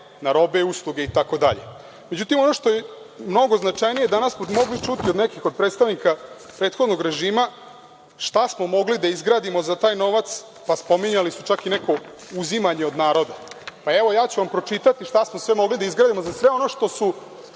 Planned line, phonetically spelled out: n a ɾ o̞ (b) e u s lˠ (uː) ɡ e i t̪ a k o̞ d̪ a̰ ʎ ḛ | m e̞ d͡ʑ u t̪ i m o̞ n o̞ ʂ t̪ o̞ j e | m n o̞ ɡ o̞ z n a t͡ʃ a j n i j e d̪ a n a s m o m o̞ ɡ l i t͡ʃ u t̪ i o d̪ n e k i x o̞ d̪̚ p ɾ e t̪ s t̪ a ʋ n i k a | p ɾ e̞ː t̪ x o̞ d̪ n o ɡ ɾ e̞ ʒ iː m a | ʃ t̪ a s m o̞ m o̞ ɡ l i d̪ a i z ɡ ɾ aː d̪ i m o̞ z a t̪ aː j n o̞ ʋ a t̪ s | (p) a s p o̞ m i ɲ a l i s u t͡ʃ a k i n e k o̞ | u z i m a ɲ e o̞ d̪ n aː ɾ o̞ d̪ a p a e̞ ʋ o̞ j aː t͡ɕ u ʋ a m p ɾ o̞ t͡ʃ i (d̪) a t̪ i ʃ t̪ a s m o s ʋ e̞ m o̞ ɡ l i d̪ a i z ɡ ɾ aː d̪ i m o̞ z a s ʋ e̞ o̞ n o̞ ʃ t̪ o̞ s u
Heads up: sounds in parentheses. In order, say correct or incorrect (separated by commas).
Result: correct, incorrect, correct, incorrect